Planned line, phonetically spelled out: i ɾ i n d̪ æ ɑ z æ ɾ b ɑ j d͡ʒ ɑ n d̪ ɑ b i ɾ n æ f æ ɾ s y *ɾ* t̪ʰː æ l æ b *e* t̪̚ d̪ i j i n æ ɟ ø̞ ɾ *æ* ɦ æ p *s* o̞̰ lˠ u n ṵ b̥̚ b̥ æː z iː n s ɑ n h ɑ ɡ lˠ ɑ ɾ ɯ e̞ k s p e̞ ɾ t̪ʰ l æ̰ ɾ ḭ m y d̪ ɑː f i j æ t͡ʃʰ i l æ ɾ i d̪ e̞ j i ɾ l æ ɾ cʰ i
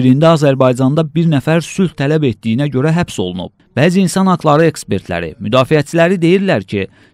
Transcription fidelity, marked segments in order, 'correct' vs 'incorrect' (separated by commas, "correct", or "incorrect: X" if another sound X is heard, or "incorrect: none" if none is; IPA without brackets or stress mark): incorrect: l, correct, correct, correct